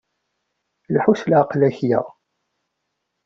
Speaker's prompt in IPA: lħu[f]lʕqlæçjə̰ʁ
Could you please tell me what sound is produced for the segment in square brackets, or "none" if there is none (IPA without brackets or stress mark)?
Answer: s